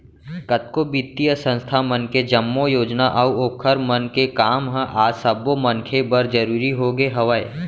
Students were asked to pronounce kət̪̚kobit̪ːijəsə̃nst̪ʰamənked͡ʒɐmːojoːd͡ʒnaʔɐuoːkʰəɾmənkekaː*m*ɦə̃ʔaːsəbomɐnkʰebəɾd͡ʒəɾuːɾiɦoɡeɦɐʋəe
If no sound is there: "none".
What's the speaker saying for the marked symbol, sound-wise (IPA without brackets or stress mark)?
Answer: m